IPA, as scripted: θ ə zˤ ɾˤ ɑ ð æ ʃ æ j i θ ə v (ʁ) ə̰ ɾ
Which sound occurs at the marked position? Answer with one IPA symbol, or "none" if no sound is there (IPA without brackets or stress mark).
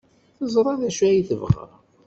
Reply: ʁ